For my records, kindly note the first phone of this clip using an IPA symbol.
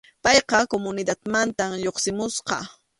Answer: p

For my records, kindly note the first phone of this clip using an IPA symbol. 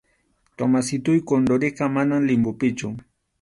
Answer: t̪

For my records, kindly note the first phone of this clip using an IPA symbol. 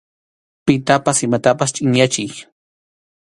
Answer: p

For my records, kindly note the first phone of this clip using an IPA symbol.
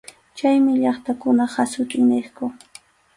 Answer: t͡ʃ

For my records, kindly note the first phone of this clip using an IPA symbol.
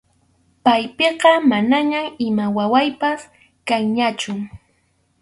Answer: p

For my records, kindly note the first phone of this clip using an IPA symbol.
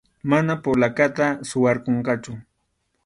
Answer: m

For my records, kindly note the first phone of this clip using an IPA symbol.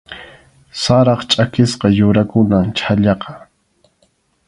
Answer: s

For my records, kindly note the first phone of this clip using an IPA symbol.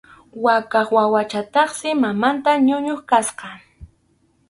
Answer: w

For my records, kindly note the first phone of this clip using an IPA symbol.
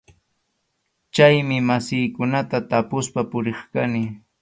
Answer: t͡ʃ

